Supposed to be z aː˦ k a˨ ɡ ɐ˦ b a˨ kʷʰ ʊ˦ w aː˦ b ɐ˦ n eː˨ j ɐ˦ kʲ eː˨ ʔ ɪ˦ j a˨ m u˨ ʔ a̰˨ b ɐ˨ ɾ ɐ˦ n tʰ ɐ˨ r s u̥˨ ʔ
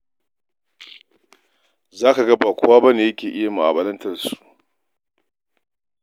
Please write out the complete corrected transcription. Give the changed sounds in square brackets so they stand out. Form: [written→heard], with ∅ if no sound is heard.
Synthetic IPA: z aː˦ k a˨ ɡ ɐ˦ b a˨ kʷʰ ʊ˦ w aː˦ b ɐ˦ n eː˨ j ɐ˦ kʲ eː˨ ʔ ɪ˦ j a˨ m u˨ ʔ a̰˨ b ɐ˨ [ɾ→l] ɐ˦ n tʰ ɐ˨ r s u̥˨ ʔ

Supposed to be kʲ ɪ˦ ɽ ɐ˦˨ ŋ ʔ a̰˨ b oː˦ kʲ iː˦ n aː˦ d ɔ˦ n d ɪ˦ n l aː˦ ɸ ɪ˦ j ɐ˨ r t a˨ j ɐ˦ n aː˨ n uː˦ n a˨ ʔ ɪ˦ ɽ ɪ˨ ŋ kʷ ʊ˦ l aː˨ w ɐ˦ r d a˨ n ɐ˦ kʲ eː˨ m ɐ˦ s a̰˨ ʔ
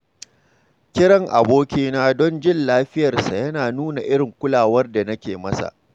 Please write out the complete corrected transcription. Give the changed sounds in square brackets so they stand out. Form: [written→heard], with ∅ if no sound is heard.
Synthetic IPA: kʲ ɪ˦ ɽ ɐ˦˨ ŋ ʔ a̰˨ b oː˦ kʲ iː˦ n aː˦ d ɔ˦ n [d→d͡ʒ] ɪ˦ n l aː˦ ɸ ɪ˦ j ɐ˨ r [t→s] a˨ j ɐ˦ n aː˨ n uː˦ n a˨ ʔ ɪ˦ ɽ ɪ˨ ŋ kʷ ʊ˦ l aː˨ w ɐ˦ r d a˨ n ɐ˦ kʲ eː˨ m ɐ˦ s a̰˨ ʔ

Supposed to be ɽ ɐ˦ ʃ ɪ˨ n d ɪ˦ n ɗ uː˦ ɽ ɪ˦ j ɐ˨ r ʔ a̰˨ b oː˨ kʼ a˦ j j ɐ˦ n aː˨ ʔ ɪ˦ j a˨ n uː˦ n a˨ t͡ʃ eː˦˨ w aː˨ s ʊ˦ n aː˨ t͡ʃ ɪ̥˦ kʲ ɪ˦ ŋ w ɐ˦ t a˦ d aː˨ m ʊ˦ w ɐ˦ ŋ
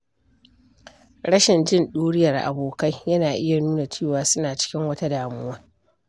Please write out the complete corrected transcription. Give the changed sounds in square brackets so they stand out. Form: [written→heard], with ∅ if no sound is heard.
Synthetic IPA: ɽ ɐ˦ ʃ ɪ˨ n [d→d͡ʒ] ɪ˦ n ɗ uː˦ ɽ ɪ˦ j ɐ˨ r ʔ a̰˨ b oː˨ [kʼ→k] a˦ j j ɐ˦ n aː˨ ʔ ɪ˦ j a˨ n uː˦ n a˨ t͡ʃ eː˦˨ w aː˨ s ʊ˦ n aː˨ t͡ʃ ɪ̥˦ kʲ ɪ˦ ŋ w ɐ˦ t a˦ d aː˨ m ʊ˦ w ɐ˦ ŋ

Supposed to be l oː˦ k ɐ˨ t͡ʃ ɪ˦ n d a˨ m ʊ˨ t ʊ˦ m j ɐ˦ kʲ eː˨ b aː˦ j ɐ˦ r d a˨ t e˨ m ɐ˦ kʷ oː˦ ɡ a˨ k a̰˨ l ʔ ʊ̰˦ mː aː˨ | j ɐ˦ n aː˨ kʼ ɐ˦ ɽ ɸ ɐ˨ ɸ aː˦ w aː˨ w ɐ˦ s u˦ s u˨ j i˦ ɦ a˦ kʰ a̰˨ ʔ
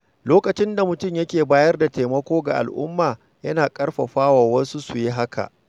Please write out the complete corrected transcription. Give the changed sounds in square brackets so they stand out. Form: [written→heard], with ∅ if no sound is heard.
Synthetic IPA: l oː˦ k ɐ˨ t͡ʃ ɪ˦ n d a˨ m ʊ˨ t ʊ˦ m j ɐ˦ kʲ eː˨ b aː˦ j ɐ˦ r d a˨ t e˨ m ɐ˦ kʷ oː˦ ɡ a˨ [k→ʔ] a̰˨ l ʔ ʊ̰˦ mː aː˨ | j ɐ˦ n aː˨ kʼ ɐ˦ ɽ ɸ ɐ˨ ɸ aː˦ w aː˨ w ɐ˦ s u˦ s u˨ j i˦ ɦ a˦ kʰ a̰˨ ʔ

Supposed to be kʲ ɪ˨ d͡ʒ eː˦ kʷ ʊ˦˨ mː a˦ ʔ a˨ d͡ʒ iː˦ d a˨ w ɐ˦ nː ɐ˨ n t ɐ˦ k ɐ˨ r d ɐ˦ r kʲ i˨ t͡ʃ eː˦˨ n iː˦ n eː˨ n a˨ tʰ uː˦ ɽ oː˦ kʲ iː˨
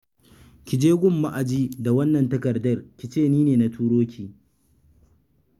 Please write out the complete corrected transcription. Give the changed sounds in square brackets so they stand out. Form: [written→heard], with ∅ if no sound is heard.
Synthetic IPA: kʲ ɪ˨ d͡ʒ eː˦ [kʷ→ɡʷ] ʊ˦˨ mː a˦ ʔ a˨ d͡ʒ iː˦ d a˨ w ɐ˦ nː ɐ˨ n t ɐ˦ k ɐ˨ r d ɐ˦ r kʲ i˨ t͡ʃ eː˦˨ n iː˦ n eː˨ n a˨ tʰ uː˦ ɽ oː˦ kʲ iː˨

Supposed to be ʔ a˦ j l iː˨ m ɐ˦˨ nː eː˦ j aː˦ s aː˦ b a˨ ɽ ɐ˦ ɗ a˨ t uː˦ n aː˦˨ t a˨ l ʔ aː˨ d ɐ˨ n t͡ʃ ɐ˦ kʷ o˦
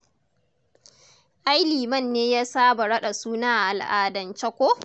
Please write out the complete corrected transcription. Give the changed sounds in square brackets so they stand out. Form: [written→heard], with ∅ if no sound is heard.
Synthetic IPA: ʔ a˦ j l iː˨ m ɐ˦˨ nː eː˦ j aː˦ s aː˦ b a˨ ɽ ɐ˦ ɗ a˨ [t→s] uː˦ n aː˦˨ [t→ʔ] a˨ l ʔ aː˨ d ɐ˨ n t͡ʃ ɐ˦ kʷ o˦

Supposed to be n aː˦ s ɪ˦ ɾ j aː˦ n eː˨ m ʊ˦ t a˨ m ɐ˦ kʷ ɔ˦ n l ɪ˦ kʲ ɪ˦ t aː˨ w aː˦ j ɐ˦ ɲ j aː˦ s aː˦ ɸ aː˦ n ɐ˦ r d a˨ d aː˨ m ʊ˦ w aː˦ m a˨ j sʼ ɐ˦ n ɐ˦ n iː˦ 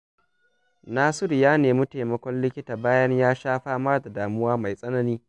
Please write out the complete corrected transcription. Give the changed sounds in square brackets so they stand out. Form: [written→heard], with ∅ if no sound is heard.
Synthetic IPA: n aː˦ s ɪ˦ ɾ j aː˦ n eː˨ m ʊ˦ t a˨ m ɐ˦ kʷ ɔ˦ n l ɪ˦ kʲ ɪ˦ t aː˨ [w→b] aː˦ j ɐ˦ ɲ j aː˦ [s→ʃ] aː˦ ɸ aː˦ [n→m] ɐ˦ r d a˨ d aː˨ m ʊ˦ w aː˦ m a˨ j sʼ ɐ˦ n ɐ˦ n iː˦

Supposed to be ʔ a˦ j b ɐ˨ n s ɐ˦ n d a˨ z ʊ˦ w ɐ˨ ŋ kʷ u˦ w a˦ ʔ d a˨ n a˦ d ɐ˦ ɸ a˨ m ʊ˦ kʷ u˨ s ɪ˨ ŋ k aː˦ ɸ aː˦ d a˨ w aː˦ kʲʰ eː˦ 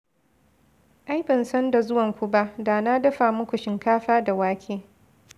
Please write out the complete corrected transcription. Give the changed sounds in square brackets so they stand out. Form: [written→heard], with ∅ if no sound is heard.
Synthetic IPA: ʔ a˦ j b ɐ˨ n s ɐ˦ n d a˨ z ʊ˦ w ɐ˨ ŋ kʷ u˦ [w→b] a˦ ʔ d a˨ n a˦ d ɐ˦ ɸ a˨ m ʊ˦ kʷ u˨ [s→ʃ] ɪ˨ ŋ k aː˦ ɸ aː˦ d a˨ w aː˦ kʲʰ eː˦

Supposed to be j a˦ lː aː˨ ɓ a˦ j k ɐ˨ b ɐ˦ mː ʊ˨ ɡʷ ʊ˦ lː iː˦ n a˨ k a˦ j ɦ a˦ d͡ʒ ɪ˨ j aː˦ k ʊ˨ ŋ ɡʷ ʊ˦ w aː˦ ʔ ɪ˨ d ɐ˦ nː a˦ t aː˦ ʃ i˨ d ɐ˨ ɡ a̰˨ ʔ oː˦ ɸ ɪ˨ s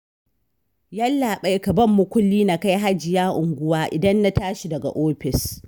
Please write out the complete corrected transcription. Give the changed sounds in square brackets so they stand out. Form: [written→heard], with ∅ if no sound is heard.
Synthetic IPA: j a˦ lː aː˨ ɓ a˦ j k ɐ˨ b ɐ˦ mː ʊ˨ [ɡʷ→kʷ] ʊ˦ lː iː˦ n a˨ k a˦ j ɦ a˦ d͡ʒ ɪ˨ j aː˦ [k→ʔ] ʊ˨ ŋ ɡʷ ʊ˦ w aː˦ ʔ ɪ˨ d ɐ˦ nː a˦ t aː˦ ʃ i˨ d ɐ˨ ɡ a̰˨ ʔ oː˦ ɸ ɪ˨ s

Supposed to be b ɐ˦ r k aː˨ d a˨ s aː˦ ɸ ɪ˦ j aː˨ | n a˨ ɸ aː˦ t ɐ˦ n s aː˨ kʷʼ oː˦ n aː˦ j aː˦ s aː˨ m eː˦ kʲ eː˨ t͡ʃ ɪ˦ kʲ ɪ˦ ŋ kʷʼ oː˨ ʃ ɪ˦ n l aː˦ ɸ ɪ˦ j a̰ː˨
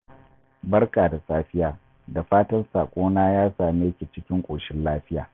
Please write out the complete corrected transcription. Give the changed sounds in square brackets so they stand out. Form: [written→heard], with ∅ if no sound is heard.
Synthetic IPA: b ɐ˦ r k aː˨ d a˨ s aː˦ ɸ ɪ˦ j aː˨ | [n→d] a˨ ɸ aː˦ t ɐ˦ n s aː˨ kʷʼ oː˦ n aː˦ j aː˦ s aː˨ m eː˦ kʲ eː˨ t͡ʃ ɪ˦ kʲ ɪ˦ ŋ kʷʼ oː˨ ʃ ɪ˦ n l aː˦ ɸ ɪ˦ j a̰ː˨

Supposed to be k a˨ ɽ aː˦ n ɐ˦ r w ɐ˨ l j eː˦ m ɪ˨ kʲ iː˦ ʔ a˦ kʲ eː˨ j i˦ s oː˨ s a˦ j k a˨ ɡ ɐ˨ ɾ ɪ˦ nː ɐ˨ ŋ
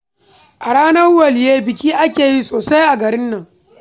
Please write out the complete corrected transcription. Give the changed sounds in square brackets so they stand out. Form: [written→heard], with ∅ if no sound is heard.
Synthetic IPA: [k→ʔ] a˨ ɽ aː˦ n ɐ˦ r w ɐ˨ l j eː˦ [m→b] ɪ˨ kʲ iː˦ ʔ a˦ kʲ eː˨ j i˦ s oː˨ s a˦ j [k→ʔ] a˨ ɡ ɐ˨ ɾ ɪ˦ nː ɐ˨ ŋ

